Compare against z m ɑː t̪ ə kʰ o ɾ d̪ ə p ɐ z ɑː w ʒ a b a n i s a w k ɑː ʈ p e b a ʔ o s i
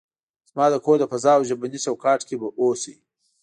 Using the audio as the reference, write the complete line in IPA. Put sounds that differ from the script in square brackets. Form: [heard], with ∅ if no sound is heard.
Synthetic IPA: z m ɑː [d̪] ə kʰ o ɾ d̪ ə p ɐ z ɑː w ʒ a b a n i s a w k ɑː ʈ [k] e b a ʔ o s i